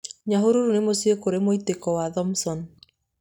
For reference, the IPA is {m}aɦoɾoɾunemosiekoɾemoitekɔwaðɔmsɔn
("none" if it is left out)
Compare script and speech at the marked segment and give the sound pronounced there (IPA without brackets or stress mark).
ɲ